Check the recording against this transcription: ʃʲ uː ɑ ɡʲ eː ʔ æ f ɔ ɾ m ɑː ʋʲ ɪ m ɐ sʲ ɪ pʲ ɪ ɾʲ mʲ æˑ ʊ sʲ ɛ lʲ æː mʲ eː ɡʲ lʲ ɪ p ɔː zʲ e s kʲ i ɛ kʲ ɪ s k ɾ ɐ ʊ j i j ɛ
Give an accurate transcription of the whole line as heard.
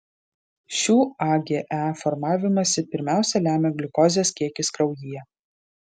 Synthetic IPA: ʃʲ uː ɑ ɡʲ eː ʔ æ f ɔ ɾ m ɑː ʋʲ ɪ m ɐ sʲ ɪ pʲ ɪ ɾʲ mʲ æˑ ʊ sʲ ɛ lʲ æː mʲ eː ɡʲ lʲ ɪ k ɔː zʲ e s kʲ i ɛ kʲ ɪ s k ɾ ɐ ʊ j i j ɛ